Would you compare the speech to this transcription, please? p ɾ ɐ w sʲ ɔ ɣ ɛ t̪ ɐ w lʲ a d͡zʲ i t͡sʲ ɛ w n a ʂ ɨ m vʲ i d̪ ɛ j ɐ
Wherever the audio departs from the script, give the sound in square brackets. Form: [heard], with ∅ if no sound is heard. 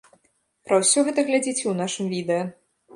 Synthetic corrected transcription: p ɾ ɐ w sʲ ɔ ɣ ɛ t̪ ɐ [ɣ] lʲ a d͡zʲ i t͡sʲ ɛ w n a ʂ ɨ m vʲ i d̪ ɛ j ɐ